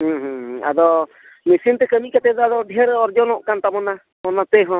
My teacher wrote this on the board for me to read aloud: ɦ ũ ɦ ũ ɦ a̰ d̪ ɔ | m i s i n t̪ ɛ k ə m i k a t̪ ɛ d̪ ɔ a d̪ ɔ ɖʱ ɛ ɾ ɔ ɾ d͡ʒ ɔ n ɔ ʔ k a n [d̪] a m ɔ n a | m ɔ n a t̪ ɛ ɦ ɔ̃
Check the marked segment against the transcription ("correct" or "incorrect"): incorrect